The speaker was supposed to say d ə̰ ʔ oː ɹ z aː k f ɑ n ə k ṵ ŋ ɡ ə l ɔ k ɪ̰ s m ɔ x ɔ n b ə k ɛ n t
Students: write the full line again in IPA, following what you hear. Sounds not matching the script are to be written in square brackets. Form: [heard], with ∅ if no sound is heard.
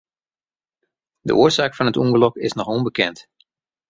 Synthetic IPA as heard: d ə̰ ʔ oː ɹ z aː k f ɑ n ə [t] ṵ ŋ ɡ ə l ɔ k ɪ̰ s [n] ɔ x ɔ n b ə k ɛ n t